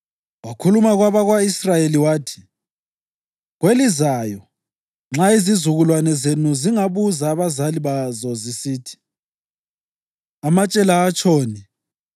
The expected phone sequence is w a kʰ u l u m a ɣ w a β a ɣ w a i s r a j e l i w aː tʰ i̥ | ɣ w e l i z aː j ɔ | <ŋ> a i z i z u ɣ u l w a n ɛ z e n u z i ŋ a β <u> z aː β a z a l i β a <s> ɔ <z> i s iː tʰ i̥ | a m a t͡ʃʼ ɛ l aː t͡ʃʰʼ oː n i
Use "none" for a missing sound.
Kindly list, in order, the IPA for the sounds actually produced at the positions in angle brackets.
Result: ŋ͡ǁ, u, z, z

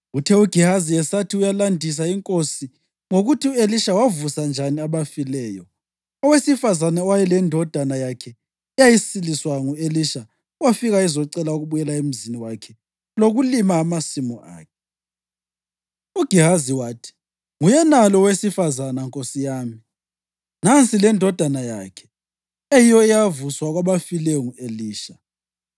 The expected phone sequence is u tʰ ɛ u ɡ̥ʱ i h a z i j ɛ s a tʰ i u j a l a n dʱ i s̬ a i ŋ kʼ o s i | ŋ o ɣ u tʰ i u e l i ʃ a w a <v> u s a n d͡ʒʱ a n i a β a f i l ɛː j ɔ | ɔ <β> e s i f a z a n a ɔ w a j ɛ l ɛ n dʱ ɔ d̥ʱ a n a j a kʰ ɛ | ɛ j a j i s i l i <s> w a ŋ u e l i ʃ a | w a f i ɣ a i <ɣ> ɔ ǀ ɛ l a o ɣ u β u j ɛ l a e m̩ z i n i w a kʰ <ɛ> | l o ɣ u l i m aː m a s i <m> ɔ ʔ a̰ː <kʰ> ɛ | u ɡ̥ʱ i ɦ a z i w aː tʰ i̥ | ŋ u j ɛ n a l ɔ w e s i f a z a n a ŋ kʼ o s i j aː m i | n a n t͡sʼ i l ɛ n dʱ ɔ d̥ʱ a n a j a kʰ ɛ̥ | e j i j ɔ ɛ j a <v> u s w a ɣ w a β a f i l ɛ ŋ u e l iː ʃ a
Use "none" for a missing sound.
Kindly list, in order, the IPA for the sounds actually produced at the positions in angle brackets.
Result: v, w, s, z, ɛ, m, kʰ, v

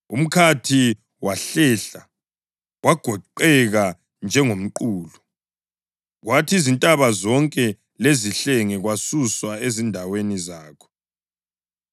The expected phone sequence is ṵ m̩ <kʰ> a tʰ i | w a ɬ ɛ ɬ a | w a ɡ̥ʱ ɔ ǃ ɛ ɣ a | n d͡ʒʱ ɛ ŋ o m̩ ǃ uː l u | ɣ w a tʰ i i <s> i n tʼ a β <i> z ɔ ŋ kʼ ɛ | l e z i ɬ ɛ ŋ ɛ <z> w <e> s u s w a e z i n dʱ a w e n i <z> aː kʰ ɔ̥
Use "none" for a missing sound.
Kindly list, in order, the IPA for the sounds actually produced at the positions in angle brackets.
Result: kʰ, z, a, ɣ, a, z

